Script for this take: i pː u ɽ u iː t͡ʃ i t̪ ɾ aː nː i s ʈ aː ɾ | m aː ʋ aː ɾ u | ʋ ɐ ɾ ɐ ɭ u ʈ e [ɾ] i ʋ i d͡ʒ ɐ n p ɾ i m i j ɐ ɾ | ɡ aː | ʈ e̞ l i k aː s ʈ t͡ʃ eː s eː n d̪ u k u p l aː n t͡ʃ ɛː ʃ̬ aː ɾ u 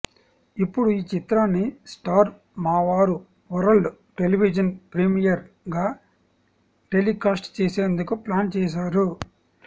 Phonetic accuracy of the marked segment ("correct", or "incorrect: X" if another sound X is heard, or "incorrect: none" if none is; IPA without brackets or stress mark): incorrect: l